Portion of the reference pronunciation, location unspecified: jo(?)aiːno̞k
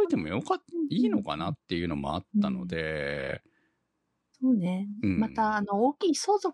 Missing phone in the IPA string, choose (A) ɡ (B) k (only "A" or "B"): B